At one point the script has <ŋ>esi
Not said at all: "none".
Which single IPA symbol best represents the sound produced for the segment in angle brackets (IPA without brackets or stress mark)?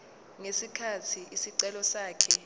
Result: ŋ